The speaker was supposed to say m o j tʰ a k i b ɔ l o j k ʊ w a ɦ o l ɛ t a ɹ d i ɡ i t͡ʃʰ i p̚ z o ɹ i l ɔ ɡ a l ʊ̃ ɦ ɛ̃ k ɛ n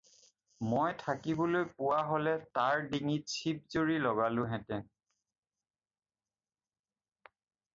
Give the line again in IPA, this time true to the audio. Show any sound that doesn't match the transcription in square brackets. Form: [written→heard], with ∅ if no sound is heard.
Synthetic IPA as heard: m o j tʰ a k i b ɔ l o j [k→p] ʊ w a ɦ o l ɛ t a ɹ d i [ɡ→ŋ] i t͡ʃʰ i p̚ z o ɹ i l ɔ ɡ a l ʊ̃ ɦ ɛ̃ [k→t] ɛ n